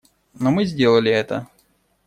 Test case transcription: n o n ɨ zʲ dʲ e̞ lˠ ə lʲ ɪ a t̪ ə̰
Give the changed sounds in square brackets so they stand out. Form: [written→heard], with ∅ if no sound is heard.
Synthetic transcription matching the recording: n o [n→m] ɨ zʲ dʲ e̞ lˠ ə lʲ ɪ [a→ɛ] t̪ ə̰